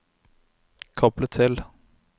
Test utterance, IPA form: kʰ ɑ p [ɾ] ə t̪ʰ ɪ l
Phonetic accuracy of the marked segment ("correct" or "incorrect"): incorrect